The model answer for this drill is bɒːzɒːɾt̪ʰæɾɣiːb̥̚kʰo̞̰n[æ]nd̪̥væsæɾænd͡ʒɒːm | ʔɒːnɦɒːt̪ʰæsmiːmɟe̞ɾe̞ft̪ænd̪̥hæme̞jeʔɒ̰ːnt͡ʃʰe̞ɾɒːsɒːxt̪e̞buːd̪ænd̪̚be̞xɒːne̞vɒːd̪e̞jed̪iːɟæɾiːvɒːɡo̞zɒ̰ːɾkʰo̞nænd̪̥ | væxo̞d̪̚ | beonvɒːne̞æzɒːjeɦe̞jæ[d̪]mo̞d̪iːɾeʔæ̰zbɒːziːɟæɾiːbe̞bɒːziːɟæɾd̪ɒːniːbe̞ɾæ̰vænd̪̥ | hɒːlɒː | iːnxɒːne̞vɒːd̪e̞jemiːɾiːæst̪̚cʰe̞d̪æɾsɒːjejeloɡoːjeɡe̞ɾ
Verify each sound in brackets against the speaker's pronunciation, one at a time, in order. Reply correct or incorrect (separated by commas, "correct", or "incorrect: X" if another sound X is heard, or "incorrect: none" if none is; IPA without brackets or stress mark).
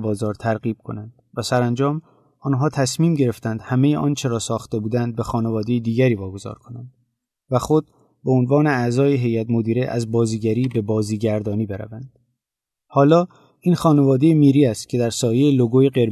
correct, incorrect: t̪